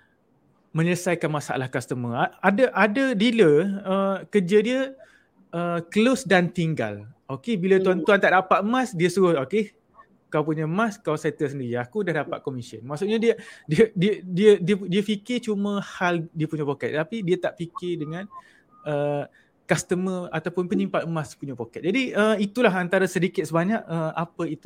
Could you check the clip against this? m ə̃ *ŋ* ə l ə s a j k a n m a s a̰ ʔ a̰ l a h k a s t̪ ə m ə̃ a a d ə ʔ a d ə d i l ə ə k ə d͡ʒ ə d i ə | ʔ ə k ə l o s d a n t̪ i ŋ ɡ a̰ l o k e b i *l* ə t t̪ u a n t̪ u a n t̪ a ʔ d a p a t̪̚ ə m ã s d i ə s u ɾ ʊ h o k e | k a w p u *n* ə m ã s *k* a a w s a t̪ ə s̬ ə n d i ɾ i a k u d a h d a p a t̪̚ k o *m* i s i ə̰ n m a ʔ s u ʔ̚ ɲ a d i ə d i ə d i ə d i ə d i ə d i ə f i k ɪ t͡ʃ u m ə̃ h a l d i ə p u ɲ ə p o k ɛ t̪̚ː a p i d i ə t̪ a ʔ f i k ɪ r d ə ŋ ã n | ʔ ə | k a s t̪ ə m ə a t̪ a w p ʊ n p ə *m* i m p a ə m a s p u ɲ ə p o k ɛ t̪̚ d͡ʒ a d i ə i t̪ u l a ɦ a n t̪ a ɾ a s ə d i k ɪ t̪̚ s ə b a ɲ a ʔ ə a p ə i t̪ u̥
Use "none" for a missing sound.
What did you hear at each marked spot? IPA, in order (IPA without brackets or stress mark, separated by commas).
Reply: ɲ, l, ɲ, k, m, ɲ